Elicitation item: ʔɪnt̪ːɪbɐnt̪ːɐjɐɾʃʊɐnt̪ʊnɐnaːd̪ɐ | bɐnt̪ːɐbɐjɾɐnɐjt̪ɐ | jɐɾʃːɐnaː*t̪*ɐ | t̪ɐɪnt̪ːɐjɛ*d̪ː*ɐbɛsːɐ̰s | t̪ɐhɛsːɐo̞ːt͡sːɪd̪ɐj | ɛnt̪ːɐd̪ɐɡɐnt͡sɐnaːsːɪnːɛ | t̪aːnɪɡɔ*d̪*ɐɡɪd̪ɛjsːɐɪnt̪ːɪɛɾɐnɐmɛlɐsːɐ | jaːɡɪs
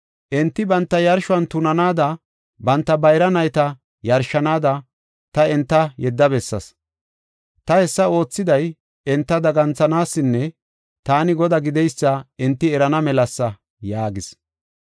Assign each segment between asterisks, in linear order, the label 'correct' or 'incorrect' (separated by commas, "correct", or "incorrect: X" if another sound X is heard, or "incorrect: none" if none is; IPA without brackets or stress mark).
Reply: incorrect: d̪, correct, correct